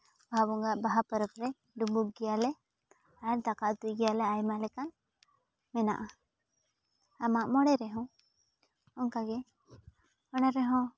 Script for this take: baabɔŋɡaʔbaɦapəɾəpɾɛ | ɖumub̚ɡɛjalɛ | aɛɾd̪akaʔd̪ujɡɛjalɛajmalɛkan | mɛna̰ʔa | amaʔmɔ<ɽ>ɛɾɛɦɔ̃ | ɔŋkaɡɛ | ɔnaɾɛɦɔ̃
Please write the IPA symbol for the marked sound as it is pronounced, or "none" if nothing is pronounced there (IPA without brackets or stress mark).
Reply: ɽ